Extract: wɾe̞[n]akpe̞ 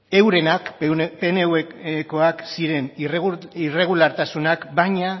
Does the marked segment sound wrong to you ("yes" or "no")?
no